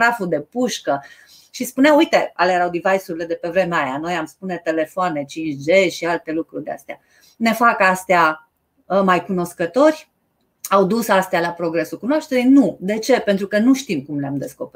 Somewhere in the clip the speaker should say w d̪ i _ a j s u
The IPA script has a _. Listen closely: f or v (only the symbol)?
v